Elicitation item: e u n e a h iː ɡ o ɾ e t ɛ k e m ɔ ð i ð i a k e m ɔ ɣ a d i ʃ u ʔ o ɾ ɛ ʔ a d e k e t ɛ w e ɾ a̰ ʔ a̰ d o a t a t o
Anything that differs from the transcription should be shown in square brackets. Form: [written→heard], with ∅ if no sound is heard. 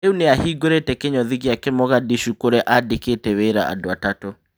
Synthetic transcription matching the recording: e u n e a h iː ɡ o ɾ e t ɛ k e [m→ɲ] ɔ ð i [ð→ɣ] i a k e m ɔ ɣ a d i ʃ u [ʔ→k] o ɾ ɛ ʔ a d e k e t ɛ w e ɾ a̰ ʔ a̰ d o a t a t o